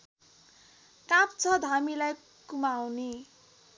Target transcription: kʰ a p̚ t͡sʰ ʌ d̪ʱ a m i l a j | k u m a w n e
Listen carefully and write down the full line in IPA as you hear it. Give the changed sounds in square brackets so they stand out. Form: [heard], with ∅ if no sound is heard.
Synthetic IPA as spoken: [k] a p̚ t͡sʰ ʌ d̪ʱ a m i l a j | k u m a w n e